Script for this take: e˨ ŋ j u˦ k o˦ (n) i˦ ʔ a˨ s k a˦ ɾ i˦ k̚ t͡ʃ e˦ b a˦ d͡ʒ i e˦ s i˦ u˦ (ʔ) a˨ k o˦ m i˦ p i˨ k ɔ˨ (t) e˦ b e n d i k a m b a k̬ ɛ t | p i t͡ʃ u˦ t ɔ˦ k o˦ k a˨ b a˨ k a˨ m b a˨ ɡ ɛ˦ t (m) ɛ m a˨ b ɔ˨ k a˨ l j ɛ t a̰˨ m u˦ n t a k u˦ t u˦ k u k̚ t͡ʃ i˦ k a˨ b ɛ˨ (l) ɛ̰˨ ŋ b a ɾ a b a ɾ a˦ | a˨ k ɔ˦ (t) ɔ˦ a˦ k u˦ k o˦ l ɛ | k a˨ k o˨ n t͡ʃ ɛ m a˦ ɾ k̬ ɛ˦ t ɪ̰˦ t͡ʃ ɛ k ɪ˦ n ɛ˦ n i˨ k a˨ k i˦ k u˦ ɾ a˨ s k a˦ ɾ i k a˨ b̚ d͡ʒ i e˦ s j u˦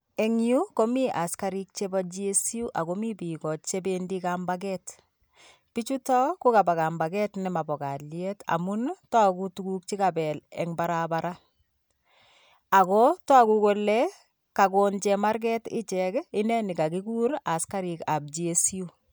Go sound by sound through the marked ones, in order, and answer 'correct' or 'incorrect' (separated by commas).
incorrect, correct, incorrect, incorrect, correct, correct